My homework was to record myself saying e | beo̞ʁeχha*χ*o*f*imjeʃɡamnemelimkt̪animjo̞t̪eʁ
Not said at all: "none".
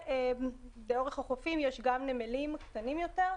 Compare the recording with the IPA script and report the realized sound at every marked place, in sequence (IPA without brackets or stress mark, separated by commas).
χ, f